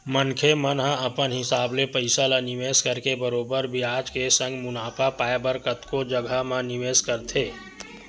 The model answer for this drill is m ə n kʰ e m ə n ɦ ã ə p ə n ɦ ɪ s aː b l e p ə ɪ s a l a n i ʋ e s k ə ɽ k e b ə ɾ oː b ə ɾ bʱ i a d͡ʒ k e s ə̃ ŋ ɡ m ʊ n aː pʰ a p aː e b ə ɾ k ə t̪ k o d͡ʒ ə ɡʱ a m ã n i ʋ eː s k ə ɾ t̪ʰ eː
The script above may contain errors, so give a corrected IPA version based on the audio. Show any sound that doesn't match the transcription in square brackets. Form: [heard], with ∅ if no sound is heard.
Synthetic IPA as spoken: m ə n kʰ e m ə n ɦ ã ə p ə n ɦ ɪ s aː b l e p ə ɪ s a l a n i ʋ e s k ə [ɾ] k e b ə ɾ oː b ə ɾ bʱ i a d͡ʒ k e s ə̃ ŋ ɡ m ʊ n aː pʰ a p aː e b ə ɾ k ə t̪ k o d͡ʒ ə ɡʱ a m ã n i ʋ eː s k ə ɾ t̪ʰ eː